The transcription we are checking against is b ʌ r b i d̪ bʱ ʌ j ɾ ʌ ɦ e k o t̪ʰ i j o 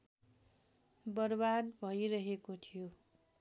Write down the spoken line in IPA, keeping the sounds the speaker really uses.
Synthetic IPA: b ʌ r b a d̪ bʱ ʌ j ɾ ʌ ɦ e k o t̪ʰ i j o